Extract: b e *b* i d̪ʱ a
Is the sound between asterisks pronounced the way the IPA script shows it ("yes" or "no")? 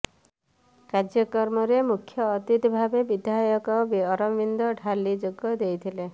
yes